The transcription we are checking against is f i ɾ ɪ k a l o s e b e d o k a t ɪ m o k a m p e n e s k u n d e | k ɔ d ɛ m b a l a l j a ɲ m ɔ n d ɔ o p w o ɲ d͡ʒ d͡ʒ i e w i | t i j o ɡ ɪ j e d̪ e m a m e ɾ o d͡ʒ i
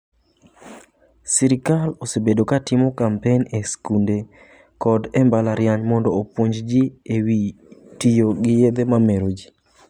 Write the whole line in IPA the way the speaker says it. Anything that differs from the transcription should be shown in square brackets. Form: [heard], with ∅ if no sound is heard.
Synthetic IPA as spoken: [s] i ɾ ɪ k a l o s e b e d o k a t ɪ m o k a m p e n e s k u n d e | k ɔ d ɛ m b a l a [ɾ] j a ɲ m ɔ n d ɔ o p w o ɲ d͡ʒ d͡ʒ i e w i | t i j o ɡ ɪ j e d̪ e m a m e ɾ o d͡ʒ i